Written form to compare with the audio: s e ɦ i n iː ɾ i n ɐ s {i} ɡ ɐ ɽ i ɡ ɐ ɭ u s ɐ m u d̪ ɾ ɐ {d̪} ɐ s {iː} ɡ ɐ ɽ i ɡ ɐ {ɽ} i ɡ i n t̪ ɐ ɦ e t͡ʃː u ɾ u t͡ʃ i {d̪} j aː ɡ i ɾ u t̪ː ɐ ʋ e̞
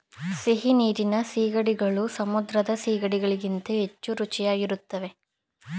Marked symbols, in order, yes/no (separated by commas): no, yes, yes, no, no